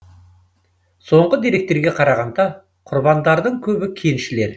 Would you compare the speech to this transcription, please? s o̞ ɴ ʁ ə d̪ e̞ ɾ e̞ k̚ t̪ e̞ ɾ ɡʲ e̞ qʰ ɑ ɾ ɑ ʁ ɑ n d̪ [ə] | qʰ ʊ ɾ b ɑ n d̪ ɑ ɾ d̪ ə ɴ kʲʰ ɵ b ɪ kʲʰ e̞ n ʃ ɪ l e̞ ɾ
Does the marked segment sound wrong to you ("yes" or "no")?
yes